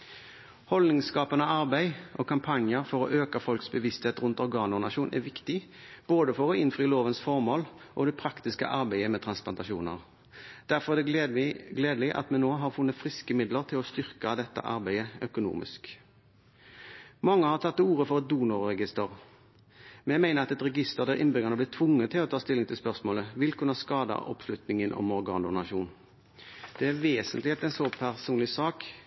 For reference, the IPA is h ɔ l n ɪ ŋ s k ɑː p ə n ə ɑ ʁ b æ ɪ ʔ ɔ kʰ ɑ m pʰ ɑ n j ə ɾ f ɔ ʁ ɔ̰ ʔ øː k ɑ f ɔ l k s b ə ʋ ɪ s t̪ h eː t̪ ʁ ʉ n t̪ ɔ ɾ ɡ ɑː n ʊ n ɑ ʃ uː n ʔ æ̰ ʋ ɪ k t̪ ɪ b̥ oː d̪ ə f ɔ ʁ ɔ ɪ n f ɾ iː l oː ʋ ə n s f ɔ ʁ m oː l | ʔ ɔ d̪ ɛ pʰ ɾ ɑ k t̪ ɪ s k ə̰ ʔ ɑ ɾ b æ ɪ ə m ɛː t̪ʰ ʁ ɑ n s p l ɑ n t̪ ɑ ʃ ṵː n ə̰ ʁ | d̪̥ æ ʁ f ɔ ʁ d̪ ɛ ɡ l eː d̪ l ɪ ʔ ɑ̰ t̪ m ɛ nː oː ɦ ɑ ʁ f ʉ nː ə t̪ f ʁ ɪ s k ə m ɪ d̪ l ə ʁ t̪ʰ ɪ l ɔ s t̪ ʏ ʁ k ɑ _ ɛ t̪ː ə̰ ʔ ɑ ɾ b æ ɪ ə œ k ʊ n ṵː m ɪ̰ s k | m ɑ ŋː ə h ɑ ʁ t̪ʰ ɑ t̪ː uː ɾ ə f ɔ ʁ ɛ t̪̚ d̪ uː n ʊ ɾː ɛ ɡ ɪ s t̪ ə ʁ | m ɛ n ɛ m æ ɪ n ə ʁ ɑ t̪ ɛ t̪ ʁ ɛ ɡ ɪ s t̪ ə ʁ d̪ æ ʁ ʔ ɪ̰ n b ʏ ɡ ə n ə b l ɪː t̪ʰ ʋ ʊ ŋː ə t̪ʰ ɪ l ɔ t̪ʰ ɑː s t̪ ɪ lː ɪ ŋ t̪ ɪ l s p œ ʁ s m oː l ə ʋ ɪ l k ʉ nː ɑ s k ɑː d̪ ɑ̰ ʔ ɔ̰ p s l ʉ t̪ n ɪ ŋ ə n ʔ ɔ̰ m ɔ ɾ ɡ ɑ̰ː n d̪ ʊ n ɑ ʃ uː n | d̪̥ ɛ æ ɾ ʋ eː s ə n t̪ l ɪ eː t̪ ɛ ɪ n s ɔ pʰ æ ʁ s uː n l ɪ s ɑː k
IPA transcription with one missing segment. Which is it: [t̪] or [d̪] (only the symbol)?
d̪